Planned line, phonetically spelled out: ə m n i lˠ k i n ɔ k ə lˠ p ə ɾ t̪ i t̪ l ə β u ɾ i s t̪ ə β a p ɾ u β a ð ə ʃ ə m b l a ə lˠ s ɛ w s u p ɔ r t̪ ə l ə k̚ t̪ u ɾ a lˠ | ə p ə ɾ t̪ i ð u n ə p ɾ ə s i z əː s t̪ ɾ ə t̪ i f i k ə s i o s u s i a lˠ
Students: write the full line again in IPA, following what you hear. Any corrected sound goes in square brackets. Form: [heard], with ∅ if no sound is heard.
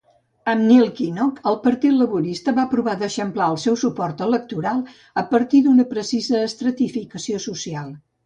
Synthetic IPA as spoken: ə m n i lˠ k i n ɔ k ə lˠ p ə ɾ t̪ i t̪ l ə β u ɾ i s t̪ ə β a p ɾ u β a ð ə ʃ ə m [p] l a ə lˠ s ɛ w s u p ɔ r t̪ ə l ə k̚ t̪ u ɾ a lˠ | ə p ə ɾ t̪ i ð u n ə p ɾ ə s i z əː s t̪ ɾ ə t̪ i f i k ə s i o s u s i a lˠ